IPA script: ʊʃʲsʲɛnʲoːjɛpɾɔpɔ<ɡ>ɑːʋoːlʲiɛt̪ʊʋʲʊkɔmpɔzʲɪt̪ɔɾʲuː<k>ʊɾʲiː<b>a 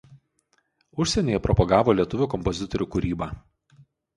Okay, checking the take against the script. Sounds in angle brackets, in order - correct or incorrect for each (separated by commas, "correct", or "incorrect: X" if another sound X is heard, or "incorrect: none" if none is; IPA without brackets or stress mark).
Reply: correct, correct, correct